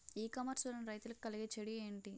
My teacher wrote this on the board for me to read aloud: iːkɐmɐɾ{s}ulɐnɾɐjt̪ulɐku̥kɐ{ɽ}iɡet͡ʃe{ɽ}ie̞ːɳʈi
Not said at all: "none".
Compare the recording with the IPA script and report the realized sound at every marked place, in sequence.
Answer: s, l, ɽ

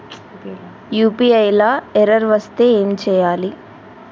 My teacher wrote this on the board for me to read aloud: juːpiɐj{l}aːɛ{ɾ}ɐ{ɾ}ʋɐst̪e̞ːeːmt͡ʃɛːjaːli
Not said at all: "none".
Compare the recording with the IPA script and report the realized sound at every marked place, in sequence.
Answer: l, ɾ, ɾ

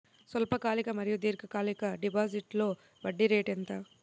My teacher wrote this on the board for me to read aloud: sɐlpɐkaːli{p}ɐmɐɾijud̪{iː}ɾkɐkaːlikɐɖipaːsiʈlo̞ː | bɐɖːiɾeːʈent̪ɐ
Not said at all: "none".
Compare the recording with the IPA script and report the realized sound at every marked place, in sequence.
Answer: k, iː

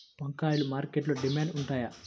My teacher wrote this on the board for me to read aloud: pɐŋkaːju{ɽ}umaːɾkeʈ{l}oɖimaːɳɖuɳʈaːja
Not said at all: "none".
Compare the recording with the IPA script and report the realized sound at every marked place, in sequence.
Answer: l, l

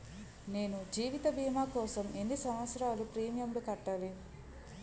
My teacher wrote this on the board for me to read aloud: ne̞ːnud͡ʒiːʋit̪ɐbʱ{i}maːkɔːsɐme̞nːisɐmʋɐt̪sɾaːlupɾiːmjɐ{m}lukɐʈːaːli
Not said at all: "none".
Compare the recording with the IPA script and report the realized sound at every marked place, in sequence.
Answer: iː, m

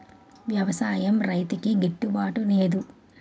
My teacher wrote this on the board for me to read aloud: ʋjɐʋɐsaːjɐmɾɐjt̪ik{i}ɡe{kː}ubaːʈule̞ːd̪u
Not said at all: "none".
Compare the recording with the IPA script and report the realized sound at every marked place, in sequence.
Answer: i, ʈː

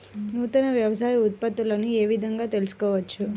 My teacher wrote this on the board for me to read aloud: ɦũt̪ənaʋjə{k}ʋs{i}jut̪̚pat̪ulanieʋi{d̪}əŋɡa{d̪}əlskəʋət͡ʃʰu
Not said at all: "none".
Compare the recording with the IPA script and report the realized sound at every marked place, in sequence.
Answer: none, a, d̪, t̪

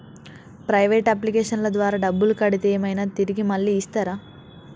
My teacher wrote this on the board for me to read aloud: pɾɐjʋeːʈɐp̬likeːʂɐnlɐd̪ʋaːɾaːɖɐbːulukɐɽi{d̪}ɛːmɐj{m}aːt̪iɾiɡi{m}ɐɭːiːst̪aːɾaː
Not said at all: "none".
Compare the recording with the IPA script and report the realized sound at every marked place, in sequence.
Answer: t̪, n, m

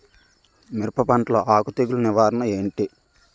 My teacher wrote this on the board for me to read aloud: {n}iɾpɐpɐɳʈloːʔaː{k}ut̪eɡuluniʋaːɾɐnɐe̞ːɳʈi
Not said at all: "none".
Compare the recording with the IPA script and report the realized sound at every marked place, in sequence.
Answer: m, k

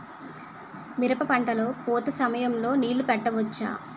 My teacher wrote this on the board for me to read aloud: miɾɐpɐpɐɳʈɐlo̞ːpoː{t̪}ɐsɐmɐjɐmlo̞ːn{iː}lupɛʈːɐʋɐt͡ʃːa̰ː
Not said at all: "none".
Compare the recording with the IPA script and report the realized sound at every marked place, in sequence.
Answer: t̪, iː

